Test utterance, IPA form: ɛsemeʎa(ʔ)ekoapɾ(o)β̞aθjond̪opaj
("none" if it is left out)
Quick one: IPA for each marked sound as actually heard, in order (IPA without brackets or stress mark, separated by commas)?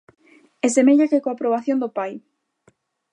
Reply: k, o